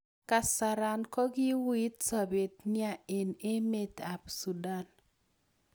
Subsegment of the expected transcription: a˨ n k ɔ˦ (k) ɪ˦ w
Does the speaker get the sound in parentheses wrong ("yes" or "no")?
yes